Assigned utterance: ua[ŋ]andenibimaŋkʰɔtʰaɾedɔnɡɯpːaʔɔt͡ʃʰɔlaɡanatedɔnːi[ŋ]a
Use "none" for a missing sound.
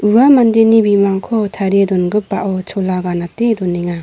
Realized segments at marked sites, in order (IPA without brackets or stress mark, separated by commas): m, ŋ